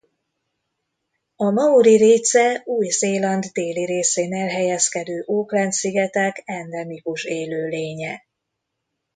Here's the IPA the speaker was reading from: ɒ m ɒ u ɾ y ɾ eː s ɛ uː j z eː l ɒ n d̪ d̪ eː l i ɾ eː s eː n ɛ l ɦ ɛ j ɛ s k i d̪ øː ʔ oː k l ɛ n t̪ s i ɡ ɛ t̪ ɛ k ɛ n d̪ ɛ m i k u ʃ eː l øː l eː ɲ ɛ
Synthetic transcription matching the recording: ɒ m ɒ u ɾ i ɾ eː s ɛ uː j z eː l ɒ n d̪ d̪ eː l i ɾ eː s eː n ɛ l ɦ ɛ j ɛ s k ɛ d̪ øː ʔ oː k l ɛ n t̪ s i ɡ ɛ t̪ ɛ k ɛ n d̪ ɛ m i k u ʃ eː l øː l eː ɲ ɛ